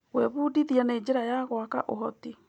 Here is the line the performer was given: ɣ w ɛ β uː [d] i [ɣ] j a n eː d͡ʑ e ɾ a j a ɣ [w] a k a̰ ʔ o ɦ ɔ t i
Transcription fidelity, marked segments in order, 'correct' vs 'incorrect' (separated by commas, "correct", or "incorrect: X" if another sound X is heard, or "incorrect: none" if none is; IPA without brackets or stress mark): correct, incorrect: ð, correct